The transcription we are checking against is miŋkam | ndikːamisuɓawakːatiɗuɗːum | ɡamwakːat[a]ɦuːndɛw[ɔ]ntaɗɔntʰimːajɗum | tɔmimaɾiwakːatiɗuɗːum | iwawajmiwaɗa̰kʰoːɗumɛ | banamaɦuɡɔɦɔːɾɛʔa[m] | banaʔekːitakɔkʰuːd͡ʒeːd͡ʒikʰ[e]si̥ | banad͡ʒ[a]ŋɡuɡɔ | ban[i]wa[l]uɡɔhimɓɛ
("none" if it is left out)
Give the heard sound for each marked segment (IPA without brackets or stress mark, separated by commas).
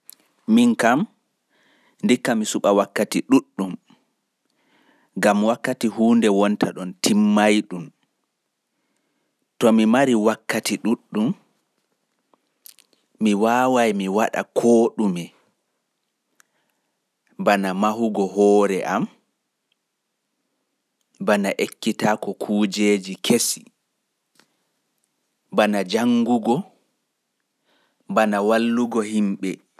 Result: i, ɔ, m, e, a, a, lː